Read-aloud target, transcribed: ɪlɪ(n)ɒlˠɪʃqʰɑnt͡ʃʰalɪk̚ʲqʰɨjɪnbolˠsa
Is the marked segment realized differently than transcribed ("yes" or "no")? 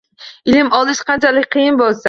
yes